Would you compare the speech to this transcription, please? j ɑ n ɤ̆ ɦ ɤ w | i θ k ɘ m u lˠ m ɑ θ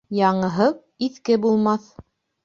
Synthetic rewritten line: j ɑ ɴ ɤ̆ ɦ ɤ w | i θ k ɘ b u lˠ m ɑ θ